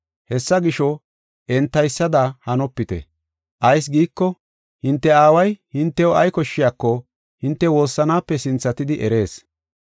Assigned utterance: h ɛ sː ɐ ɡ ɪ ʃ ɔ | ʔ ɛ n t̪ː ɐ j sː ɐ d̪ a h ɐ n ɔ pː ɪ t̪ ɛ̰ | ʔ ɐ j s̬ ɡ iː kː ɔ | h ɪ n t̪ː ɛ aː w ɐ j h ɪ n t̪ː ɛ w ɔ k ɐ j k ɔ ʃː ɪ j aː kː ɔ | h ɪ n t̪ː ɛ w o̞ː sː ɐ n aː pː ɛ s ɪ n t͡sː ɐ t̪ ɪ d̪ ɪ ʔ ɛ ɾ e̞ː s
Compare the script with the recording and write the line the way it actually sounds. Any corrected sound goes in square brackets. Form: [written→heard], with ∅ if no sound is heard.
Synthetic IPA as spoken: h ɛ sː ɐ ɡ ɪ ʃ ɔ | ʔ ɛ n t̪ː ɐ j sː ɐ d̪ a h ɐ n ɔ pː ɪ t̪ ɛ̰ | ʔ ɐ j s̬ ɡ iː kː ɔ | h ɪ n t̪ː ɛ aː w ɐ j h ɪ n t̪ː ɛ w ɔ [k→∅] ɐ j k ɔ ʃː ɪ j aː kː ɔ | h ɪ n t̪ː ɛ w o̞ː sː ɐ n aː pː ɛ s ɪ n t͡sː ɐ t̪ ɪ d̪ ɪ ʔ ɛ ɾ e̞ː s